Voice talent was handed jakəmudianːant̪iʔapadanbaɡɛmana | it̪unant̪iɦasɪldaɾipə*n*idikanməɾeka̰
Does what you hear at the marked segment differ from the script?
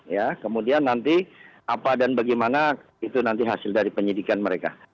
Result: yes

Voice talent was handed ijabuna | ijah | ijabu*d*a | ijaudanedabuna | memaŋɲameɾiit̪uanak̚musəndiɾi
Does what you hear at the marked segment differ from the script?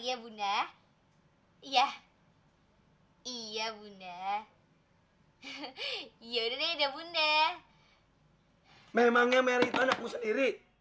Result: yes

